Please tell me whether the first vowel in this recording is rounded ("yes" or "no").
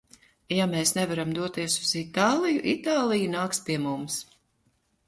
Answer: no